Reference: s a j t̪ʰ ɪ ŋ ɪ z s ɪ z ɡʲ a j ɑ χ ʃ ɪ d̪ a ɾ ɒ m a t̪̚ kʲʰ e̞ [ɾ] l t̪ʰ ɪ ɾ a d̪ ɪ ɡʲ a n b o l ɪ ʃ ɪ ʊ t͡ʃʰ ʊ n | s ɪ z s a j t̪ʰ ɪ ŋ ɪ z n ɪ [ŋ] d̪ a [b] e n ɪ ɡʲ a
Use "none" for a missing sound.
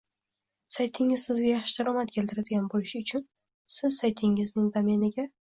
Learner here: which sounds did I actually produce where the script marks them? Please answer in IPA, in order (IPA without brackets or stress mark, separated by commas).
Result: none, ŋ, m